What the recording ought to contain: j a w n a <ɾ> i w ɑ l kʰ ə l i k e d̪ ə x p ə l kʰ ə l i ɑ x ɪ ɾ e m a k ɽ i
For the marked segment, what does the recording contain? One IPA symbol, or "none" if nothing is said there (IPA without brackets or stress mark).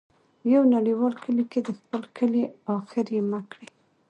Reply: ɽ